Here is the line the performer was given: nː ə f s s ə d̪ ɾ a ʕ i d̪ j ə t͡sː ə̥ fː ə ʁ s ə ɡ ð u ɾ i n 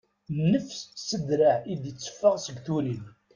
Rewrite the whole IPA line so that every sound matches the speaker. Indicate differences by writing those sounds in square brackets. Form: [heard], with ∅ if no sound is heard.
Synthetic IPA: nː ə f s s ə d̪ ɾ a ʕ i d̪ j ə t͡sː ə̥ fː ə ʁ s ə ɡ [θ] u ɾ i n